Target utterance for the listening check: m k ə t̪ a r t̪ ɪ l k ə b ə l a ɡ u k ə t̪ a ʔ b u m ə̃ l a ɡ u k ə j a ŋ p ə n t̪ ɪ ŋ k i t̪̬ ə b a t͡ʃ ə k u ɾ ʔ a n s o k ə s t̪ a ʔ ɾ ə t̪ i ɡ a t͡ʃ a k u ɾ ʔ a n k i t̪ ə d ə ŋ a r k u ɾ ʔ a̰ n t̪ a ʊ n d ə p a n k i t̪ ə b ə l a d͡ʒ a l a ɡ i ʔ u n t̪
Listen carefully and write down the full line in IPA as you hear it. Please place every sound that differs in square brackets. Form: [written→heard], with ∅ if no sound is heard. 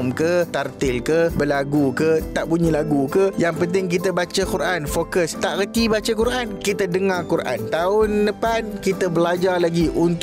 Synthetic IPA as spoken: m k ə t̪ a r t̪ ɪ l k ə b ə l a ɡ u k ə t̪ a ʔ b u [m→ɲ] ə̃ l a ɡ u k ə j a ŋ p ə n t̪ ɪ ŋ k i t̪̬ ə b a t͡ʃ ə k u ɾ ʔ a n [s→f] o k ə s t̪ a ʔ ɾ ə t̪ i [ɡ→b] a t͡ʃ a k u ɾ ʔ a n k i t̪ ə d ə ŋ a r k u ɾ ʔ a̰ n t̪ a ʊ n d ə p a n k i t̪ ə b ə l a d͡ʒ a l a ɡ i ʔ u n t̪